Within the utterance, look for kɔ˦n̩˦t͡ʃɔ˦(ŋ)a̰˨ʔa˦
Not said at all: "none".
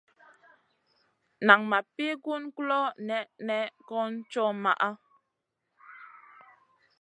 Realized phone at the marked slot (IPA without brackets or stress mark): m